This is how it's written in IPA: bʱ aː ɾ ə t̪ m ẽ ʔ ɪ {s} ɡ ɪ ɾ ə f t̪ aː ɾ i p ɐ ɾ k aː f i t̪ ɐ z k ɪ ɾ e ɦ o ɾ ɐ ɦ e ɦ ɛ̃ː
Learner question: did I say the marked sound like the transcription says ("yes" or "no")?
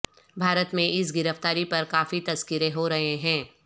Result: yes